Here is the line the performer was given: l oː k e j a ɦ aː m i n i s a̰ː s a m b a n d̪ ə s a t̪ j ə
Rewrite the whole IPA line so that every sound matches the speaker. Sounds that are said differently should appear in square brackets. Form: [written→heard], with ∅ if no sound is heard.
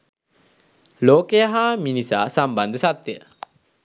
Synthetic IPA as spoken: l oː k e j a ɦ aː m i n i s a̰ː s a m b a n d̪ ə s a t̪ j ə